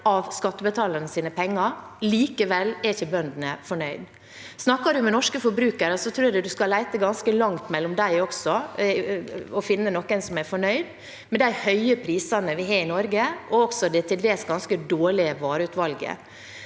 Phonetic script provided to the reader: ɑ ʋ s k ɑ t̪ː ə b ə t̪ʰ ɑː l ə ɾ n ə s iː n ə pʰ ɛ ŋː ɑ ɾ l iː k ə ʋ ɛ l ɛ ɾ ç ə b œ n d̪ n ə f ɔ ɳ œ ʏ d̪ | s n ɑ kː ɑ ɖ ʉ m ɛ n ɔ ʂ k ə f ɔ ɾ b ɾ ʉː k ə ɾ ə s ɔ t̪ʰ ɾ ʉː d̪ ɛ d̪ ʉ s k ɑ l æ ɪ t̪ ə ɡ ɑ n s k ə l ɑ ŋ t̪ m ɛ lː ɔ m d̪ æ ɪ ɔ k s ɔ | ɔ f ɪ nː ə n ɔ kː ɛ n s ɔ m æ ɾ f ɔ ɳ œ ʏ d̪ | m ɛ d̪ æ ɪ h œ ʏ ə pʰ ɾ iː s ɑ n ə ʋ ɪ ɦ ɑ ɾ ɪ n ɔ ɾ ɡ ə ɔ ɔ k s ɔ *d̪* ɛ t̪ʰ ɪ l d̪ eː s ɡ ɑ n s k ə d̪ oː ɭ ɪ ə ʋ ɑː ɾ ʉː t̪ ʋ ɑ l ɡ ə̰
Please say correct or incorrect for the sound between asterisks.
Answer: correct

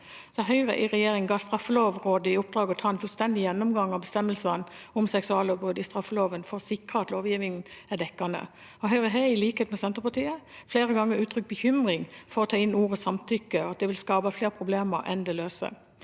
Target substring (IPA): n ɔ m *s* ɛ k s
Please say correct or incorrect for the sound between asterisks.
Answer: correct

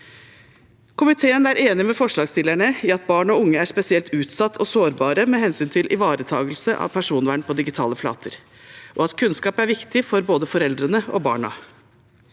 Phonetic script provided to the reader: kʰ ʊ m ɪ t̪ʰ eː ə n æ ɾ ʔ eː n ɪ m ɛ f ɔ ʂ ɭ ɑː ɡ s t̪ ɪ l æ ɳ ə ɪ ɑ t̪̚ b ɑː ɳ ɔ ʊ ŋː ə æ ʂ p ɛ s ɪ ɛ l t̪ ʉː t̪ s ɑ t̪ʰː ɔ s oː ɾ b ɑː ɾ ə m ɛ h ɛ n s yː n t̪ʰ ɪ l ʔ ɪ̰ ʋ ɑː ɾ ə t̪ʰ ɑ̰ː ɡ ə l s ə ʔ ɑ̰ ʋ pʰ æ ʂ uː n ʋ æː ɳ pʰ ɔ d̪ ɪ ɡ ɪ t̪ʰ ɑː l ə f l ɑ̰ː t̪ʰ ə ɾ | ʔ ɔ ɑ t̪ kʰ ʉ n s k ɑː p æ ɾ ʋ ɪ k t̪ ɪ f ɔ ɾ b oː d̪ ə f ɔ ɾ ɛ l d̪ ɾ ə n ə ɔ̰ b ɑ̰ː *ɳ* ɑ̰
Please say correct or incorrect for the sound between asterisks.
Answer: correct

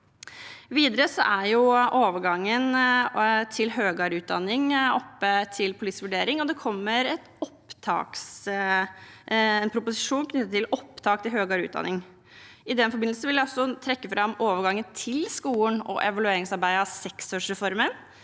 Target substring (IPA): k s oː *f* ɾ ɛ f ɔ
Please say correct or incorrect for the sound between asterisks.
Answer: incorrect: ʂ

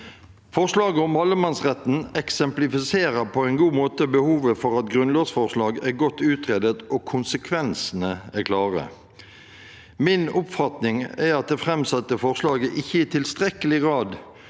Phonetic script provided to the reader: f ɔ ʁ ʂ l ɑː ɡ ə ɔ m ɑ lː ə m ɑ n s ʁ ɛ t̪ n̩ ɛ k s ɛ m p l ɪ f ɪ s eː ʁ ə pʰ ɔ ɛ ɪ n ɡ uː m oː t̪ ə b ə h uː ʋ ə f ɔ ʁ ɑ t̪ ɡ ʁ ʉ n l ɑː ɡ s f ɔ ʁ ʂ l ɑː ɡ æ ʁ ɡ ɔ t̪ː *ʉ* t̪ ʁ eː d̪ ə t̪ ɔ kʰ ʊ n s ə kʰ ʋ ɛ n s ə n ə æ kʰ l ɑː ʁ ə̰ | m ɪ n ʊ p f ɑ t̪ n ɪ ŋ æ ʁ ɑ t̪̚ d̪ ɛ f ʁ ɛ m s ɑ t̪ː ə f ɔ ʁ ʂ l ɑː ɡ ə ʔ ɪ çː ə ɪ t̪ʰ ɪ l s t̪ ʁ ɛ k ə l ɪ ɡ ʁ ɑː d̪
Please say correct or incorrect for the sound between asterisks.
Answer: incorrect: ʉː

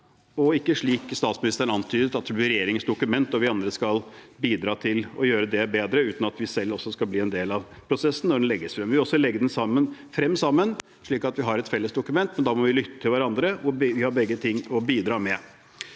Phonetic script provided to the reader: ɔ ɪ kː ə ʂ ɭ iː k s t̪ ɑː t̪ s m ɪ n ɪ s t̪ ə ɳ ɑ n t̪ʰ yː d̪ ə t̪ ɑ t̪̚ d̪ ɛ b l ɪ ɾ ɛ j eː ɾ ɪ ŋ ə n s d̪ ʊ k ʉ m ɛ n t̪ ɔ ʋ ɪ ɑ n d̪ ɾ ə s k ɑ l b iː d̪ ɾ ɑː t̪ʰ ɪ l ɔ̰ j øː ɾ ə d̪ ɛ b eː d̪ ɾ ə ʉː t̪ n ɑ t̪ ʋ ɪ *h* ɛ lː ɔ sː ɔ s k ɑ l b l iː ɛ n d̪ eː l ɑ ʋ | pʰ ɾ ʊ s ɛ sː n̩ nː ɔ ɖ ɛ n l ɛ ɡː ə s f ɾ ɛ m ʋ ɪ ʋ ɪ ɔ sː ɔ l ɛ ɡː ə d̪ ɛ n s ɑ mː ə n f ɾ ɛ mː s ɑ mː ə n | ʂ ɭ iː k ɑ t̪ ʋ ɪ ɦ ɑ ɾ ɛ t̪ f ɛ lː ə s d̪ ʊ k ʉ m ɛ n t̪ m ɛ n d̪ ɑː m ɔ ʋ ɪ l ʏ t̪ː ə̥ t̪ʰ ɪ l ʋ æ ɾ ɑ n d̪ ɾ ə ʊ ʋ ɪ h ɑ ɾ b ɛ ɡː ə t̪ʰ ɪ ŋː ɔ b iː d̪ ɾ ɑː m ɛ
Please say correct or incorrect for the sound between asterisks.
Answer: incorrect: s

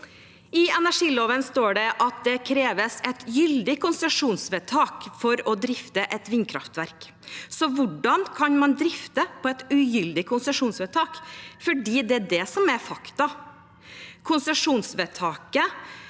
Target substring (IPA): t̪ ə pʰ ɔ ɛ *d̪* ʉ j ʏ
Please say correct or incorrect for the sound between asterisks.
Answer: incorrect: t̪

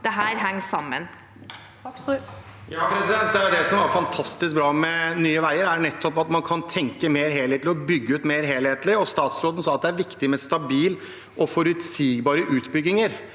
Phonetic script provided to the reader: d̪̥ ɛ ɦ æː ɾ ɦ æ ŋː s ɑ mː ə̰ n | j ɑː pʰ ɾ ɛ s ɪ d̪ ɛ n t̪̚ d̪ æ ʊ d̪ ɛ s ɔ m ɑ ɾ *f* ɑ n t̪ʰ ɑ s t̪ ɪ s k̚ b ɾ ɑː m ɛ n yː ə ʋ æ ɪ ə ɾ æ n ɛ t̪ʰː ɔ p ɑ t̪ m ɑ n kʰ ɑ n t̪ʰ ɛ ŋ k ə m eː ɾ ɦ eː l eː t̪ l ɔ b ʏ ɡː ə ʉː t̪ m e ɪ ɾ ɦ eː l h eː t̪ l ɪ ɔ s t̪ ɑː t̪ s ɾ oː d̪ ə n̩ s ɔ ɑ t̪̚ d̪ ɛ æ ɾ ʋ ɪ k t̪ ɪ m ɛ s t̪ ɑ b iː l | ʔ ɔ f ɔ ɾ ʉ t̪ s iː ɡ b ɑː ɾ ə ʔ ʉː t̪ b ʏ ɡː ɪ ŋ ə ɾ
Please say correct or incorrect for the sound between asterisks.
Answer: correct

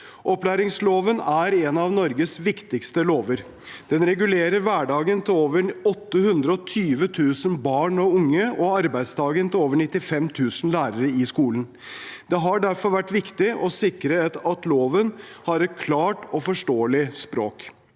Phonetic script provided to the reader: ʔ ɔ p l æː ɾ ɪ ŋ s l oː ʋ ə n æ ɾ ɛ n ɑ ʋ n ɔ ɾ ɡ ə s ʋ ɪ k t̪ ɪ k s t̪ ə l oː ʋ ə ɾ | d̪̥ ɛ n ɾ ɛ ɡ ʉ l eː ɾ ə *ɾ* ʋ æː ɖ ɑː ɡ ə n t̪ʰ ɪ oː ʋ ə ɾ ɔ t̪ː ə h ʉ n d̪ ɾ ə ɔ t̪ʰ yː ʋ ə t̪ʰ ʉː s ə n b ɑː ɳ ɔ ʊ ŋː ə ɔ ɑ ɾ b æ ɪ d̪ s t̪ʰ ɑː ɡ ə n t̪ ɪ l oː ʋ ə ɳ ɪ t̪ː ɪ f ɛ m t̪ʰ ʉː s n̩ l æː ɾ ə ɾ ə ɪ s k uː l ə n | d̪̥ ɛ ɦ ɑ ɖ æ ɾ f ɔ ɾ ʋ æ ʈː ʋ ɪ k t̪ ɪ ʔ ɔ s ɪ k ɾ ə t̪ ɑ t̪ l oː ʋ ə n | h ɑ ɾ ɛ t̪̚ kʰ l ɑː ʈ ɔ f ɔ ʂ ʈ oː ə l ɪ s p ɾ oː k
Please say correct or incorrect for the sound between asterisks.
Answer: correct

